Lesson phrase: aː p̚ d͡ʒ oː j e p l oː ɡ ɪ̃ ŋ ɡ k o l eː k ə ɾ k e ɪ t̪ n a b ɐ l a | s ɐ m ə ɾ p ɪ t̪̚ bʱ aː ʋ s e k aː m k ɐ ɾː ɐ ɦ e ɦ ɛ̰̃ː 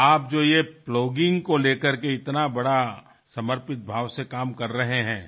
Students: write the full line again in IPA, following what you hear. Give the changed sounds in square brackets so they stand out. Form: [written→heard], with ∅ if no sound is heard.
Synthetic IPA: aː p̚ d͡ʒ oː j e p l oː ɡ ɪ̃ ŋ ɡ k o l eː k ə ɾ k e ɪ t̪ n a b ɐ [l→ɽ] a | s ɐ m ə ɾ p ɪ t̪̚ bʱ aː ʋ s e k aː m k ɐ ɾː ɐ ɦ e ɦ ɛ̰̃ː